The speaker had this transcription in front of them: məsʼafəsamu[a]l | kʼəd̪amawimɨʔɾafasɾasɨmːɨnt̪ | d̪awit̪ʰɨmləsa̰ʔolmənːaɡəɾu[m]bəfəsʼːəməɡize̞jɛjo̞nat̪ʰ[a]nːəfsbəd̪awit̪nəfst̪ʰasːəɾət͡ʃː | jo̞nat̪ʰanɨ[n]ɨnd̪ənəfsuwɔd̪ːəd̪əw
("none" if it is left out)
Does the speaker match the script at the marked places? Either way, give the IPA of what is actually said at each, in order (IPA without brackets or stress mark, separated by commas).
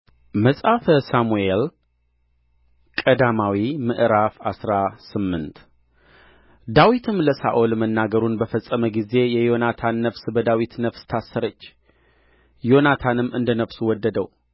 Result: e, n, a, m